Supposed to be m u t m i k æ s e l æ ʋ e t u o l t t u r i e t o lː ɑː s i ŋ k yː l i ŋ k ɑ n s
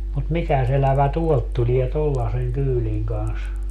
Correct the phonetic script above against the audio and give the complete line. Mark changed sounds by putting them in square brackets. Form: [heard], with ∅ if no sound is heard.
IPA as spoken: m u t m i k æ s e l æ ʋ [æ] t u o l t t u [l] i e t o lː [ɑ] s [e] ŋ k yː l i ŋ k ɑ n s